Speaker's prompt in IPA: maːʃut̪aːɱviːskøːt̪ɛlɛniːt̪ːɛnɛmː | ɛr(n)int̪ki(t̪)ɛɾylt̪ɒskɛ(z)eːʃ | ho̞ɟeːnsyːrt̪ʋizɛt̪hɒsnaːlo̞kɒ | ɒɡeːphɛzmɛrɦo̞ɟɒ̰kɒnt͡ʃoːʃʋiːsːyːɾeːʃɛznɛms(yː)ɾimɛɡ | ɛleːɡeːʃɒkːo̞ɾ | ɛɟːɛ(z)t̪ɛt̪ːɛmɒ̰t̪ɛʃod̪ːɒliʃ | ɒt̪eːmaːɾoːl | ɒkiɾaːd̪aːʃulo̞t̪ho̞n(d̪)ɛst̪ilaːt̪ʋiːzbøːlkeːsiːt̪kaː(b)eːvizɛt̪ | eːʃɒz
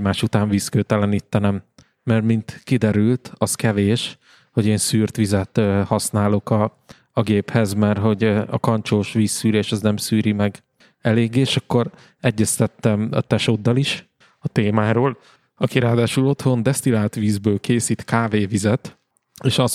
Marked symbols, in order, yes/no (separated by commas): no, no, no, yes, no, yes, no